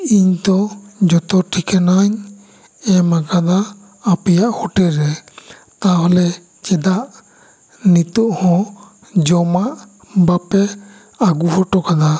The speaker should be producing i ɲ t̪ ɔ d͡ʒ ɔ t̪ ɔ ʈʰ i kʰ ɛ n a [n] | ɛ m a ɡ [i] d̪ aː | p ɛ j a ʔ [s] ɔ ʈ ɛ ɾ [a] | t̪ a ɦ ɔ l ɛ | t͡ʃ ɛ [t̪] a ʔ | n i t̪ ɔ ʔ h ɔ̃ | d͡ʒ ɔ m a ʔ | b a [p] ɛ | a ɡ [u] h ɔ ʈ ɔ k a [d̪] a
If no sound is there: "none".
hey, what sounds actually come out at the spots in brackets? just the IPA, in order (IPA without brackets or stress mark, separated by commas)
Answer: ɲ, a, h, ɛ, d̪, p, u, d̪